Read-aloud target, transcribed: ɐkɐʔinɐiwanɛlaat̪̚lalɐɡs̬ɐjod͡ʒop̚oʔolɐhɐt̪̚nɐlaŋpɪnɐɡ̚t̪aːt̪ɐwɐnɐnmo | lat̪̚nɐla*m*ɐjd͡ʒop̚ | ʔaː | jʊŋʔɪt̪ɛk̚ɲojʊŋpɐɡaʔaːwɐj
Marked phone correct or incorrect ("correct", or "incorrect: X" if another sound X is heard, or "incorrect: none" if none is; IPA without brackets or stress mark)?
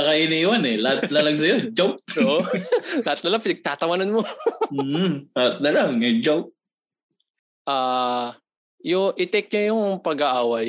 incorrect: ŋ